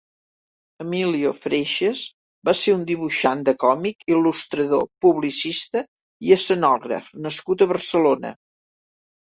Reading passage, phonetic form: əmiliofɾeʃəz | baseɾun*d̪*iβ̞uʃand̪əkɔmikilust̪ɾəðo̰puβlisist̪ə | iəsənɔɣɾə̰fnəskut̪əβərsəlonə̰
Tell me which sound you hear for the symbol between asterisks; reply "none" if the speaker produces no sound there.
d̪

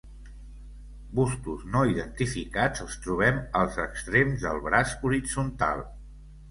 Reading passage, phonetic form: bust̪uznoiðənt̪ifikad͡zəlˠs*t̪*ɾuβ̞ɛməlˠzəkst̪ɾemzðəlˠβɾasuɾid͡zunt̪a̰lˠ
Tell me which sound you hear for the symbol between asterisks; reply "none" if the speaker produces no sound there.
t̪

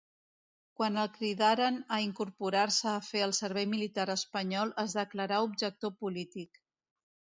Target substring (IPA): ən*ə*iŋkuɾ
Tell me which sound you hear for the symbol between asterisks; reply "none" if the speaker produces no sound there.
ə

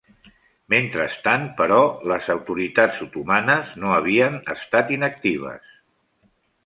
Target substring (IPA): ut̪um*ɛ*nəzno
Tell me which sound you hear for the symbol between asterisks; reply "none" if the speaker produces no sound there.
a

